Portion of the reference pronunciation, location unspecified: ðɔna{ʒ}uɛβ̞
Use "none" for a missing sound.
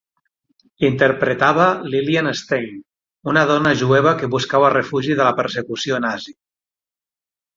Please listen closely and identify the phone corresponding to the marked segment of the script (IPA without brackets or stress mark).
ʒ